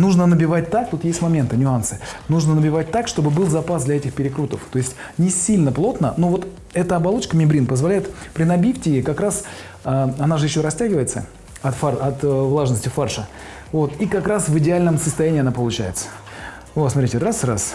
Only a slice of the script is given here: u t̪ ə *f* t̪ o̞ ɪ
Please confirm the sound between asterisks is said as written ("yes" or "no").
yes